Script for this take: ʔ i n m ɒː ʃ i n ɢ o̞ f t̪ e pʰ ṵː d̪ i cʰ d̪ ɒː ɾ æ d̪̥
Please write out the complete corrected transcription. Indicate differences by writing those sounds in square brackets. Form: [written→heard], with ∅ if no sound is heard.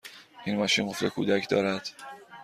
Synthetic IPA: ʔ i n m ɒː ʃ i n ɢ o̞ f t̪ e [pʰ→kʰ] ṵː d̪ [i→æ] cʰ d̪ ɒː ɾ æ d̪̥